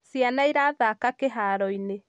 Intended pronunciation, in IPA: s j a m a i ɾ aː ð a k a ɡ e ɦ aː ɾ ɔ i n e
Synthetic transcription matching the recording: s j a n a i ɾ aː ð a k a k e ɦ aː ɾ ɔ i n e